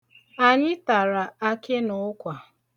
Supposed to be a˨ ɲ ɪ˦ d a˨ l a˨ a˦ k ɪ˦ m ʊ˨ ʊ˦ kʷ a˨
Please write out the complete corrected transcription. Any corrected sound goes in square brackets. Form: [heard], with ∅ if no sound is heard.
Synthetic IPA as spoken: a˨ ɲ ɪ˦ [t] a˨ [ɾ] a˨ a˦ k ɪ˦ [n] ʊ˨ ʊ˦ kʷ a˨